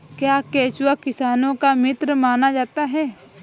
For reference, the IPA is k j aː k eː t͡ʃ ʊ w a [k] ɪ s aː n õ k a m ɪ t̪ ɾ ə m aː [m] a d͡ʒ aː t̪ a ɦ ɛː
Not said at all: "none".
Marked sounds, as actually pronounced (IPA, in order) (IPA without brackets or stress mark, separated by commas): k, n